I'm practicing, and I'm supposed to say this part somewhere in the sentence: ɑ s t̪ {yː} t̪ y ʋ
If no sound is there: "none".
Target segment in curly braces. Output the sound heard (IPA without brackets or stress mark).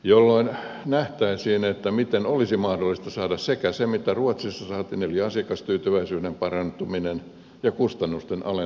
yː